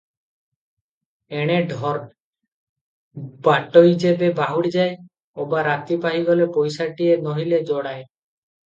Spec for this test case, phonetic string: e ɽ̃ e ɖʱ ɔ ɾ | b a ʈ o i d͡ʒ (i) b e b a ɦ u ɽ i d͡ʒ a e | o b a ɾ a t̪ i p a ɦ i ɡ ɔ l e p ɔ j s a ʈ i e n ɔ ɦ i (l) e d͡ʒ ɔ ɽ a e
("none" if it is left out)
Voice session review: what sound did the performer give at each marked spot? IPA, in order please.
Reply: e, l

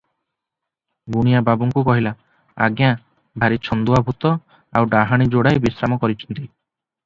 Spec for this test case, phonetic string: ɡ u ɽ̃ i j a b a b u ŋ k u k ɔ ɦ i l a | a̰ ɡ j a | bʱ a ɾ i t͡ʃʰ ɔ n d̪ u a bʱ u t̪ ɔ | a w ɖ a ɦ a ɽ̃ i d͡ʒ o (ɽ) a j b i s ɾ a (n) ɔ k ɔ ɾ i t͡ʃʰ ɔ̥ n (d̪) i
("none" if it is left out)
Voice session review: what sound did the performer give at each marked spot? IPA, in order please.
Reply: ɽ, m, t̪

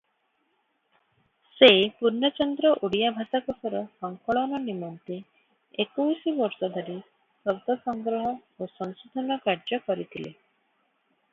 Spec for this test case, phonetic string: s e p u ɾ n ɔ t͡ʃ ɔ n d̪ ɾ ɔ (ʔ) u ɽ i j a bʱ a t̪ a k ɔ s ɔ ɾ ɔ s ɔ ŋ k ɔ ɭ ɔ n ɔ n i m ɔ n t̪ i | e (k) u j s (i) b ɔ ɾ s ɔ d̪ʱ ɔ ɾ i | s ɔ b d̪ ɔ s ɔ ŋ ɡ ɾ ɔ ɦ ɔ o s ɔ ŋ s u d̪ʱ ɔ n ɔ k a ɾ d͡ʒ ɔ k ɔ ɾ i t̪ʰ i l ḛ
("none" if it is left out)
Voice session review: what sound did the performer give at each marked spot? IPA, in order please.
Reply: ʔ, k, i

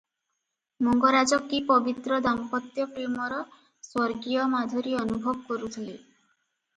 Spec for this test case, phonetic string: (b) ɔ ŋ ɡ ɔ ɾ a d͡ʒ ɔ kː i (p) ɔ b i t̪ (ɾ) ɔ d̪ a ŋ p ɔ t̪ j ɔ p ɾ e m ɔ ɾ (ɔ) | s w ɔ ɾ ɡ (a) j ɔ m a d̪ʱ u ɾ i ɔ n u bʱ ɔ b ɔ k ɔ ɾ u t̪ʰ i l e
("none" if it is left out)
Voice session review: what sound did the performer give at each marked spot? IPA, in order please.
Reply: m, p, ɾ, ɔ, i

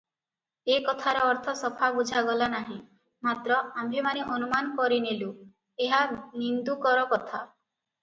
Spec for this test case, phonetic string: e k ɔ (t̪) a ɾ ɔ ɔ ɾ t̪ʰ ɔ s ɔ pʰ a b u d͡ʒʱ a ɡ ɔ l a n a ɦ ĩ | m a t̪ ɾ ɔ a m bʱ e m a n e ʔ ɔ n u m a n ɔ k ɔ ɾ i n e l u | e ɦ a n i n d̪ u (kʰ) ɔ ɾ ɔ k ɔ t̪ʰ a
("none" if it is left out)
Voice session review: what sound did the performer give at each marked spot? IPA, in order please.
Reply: t̪ʰ, k

